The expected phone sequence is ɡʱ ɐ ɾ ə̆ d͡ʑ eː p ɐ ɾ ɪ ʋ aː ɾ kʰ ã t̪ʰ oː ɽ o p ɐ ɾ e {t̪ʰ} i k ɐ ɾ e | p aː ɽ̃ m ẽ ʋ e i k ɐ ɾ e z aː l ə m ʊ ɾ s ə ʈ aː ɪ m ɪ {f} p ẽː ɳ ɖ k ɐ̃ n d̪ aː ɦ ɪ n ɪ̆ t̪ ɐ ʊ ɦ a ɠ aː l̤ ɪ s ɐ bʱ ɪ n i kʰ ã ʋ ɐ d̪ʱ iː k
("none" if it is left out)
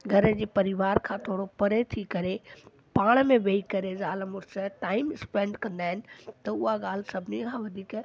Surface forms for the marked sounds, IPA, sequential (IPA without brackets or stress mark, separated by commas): t̪ʰ, s